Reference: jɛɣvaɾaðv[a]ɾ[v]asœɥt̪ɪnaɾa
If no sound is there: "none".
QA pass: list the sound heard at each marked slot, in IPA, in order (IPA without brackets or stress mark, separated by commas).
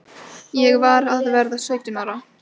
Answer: ɛ, ð